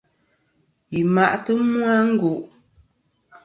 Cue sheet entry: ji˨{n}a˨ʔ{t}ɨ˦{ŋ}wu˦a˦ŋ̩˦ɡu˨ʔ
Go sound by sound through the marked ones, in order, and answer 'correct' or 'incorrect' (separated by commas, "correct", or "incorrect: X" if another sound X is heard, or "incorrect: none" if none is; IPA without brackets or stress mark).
incorrect: m, correct, incorrect: m